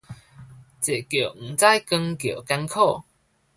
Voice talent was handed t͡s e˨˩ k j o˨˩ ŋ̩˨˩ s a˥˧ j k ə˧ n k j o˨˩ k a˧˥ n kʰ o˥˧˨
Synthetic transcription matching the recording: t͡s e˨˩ k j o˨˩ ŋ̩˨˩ t͡s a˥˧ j k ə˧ ŋ k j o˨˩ k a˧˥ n kʰ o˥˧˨